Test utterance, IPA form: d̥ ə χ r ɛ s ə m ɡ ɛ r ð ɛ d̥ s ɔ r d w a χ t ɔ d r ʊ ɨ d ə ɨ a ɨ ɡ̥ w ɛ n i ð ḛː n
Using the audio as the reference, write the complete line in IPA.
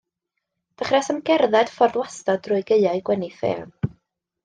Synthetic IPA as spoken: d̥ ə χ r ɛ s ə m ɡ ɛ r ð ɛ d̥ f ɔ r d w a s t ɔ d r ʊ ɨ ɡ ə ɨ a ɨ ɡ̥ w ɛ n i θ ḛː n

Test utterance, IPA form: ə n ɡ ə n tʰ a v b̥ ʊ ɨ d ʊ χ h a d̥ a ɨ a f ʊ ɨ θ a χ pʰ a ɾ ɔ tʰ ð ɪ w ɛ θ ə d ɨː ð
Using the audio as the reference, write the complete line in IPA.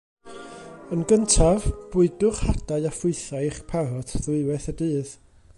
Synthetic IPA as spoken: ə n ɡ ə n tʰ a v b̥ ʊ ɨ d ʊ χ h a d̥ a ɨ a f ʊ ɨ θ a χ pʰ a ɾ ɔ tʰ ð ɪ w ɛ θ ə d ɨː ð

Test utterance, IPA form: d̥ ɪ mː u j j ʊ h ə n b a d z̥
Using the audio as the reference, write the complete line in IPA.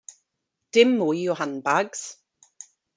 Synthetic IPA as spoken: d̥ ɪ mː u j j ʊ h a n b a ɡ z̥

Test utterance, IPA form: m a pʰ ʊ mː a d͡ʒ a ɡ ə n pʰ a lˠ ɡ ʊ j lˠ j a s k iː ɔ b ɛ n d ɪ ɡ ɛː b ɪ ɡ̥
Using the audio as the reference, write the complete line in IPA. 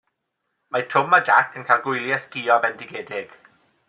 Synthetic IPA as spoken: m a tʰ ʊ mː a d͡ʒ a k ə n kʰ a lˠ ɡ ʊ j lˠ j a s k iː ɔ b ɛ n d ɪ ɡ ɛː d ɪ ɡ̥

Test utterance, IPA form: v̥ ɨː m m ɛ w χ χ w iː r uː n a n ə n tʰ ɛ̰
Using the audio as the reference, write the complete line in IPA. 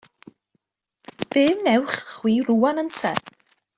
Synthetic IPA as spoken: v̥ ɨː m n ɛ w χ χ w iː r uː a n ə n tʰ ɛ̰

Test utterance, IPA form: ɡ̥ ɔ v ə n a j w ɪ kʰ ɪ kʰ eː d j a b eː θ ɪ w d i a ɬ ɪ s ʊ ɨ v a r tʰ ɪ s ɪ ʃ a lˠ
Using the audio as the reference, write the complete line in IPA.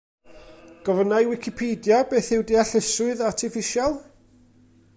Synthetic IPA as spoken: ɡ̥ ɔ v ə n a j w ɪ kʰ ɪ pʰ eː d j a b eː θ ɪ w d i a ɬ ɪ s ʊ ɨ ð a r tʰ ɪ f ɪ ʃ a lˠ

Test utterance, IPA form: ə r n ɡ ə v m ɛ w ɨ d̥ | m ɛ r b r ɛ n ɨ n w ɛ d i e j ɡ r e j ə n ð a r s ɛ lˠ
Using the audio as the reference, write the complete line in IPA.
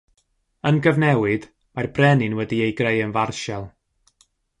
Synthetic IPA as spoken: ə n ɡ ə v n ɛ w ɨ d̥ | m a r b r ɛ n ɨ n w ɛ d i e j ɡ r e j ə n v a r ʃ ɛ lˠ

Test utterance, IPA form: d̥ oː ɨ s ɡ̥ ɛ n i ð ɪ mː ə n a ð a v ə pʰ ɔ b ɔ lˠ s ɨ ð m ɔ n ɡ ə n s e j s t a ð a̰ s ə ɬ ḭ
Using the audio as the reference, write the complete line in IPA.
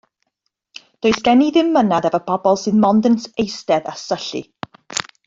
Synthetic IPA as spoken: d̥ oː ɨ s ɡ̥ ɛ n i ð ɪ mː ə n a ð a v ə pʰ ɔ b ɔ lˠ s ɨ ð m ɔ n d ə n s e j s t ɛ ð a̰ s ə ɬ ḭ

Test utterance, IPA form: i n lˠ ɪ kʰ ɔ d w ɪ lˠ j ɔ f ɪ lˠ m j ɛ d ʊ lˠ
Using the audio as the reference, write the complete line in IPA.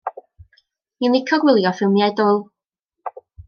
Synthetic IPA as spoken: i n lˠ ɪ kʰ ɔ ɡ w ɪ lˠ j ɔ f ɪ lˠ m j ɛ d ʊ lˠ

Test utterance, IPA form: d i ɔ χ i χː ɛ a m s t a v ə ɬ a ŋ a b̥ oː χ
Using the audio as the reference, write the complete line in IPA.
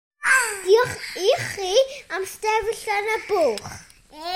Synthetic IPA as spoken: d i ɔ χ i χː i a m s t ɛ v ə ɬ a n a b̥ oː χ

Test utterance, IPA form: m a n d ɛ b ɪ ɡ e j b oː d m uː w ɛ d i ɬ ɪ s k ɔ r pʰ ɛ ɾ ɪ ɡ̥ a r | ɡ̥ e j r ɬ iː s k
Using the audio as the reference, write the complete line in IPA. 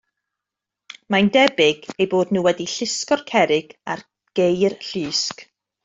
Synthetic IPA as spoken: m a n d ɛ b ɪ ɡ e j b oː d n uː w ɛ d i ɬ ɪ s k ɔ r kʰ ɛ ɾ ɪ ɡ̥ a r | ɡ̥ e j r ɬ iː s k

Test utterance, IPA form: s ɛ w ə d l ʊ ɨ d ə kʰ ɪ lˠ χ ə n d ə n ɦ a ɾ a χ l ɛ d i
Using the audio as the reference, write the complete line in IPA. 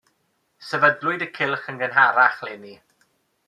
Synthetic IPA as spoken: s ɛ v ə d l ʊ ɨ d ə kʰ ɪ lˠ χ ə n ɡ ə n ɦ a ɾ a χ l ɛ n i

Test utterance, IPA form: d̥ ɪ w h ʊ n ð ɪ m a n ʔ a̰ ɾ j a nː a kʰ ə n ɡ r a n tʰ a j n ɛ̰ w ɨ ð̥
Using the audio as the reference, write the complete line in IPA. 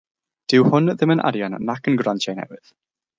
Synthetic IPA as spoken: d̥ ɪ w h ʊ n ð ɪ m ə n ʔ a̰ ɾ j a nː a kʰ ə n ɡ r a n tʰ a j n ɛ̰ w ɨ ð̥

